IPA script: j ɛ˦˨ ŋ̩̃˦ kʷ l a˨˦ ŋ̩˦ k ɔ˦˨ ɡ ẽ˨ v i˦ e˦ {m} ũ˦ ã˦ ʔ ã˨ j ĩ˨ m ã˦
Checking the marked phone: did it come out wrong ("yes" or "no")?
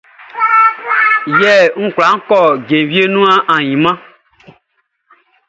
yes